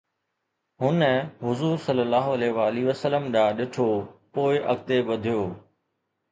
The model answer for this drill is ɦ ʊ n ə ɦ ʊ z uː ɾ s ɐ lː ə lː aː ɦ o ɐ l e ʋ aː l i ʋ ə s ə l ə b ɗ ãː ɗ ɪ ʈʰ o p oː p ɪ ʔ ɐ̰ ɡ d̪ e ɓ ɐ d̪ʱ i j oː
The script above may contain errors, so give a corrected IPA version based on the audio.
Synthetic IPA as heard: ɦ ʊ n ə ɦ ʊ z uː ɾ s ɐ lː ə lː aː ɦ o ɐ l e ʋ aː l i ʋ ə s ə l ə m ɗ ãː ɗ ɪ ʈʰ o p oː ɪ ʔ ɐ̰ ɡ t̪ e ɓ ɐ d̪ʱ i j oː